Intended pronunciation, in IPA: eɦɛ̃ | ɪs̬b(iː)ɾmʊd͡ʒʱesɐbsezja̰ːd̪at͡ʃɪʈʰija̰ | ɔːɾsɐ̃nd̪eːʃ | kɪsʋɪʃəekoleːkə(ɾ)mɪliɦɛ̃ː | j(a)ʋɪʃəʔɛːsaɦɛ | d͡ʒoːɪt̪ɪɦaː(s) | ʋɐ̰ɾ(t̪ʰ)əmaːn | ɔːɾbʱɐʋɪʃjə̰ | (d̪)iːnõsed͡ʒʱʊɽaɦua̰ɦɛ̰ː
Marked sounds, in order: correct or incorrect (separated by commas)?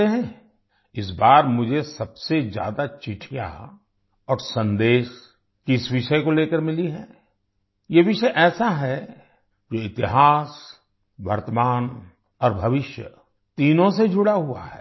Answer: incorrect, correct, incorrect, correct, incorrect, incorrect